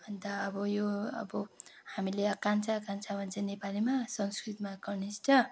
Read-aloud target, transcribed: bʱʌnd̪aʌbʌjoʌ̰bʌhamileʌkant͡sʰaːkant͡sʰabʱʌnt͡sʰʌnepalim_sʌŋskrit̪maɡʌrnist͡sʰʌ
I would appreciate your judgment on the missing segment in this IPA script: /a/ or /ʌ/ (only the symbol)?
a